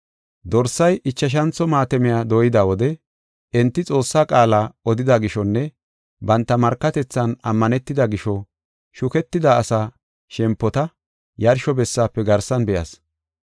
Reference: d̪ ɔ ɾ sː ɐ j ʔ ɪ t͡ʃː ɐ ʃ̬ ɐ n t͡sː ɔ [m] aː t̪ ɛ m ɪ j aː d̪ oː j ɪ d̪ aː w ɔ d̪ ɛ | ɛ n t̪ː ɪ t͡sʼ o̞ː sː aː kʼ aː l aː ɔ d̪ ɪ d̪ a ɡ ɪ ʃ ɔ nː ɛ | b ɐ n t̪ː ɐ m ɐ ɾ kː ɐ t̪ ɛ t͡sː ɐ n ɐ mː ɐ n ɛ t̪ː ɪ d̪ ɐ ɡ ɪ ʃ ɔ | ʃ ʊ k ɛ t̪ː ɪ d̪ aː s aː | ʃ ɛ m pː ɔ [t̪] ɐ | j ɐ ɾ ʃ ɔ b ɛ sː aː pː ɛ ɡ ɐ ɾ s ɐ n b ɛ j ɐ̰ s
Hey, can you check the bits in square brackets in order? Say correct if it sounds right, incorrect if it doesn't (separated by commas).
correct, correct